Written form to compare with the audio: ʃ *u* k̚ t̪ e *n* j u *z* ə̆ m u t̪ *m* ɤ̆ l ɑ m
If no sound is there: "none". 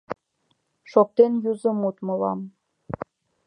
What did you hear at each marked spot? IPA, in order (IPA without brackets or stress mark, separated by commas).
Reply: o, n, z, m